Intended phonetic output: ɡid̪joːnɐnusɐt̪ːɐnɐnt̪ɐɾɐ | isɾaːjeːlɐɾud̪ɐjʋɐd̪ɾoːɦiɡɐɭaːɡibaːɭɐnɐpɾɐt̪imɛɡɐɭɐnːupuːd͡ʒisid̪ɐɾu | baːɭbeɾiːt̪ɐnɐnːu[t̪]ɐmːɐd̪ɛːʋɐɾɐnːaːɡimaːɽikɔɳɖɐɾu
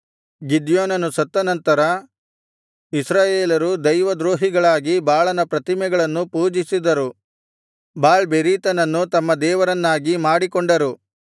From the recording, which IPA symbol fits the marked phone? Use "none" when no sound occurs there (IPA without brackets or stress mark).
t̪